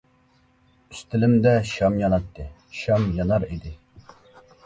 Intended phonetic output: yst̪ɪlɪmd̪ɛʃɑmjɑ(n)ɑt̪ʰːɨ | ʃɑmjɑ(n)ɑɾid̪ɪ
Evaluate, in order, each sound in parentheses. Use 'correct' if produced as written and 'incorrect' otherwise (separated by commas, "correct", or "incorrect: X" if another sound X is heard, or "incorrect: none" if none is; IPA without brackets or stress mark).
correct, correct